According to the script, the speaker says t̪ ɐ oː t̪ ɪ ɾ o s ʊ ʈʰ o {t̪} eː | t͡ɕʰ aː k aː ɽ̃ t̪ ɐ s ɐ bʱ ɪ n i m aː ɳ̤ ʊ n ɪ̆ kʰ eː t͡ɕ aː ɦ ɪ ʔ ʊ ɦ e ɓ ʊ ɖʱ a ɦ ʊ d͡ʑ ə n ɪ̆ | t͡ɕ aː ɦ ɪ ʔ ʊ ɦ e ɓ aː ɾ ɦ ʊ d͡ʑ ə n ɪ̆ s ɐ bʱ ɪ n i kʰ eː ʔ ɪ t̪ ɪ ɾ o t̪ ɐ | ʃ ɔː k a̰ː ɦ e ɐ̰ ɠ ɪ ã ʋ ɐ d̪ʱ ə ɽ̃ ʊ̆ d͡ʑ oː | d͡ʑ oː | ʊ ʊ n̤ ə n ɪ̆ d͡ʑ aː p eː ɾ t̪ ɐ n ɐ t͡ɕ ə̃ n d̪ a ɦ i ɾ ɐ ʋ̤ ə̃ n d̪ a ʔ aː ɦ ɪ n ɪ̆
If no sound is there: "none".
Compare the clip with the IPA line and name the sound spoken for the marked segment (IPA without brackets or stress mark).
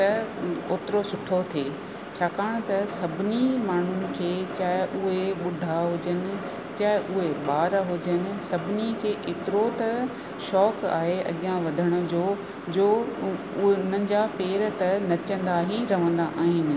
t̪ʰ